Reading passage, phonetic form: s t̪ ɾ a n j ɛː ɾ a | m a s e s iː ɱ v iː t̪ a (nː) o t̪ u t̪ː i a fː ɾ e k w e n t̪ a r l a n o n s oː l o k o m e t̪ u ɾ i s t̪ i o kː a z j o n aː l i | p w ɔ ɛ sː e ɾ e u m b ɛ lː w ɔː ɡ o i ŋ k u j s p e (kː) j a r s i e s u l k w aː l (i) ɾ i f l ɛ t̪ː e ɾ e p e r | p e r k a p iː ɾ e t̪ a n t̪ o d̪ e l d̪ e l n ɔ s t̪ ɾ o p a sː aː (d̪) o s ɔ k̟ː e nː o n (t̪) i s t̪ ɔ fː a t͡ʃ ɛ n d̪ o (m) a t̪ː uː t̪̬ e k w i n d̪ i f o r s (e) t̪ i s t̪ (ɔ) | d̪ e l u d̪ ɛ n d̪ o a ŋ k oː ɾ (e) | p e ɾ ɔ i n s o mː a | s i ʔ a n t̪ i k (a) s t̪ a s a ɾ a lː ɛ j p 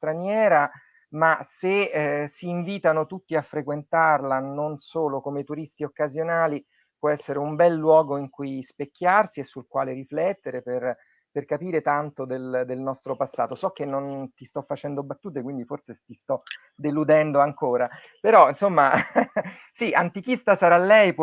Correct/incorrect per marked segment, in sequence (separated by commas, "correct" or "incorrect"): incorrect, correct, incorrect, incorrect, correct, incorrect, correct, correct, incorrect, incorrect